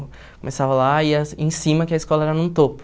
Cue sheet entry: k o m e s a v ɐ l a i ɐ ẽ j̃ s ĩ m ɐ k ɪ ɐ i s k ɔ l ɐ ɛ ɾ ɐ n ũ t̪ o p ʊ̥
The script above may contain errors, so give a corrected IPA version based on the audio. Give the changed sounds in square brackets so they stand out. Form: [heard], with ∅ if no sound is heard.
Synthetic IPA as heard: k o m e s a v ɐ l a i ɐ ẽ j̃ s ĩ m ɐ k ɪ ɐ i s k ɔ l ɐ ɛ ɾ ɐ n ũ t̪ o p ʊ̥